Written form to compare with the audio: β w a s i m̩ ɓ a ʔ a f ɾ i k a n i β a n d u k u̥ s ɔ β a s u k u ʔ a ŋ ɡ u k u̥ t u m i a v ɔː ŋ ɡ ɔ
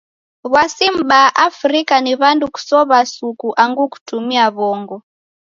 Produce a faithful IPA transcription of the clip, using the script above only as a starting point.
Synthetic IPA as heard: β w a s i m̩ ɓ a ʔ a f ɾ i k a n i β a n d u k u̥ s ɔ β a s u k u ʔ a ŋ ɡ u k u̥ t u m i a β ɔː ŋ ɡ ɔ